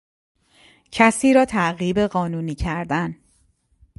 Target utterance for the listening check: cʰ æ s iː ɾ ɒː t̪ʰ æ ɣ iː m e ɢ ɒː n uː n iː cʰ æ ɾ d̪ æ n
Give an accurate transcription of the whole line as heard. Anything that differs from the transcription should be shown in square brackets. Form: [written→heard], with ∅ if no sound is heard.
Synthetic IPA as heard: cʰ æ s iː ɾ ɒː t̪ʰ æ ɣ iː [m→b] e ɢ ɒː n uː n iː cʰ æ ɾ d̪ æ n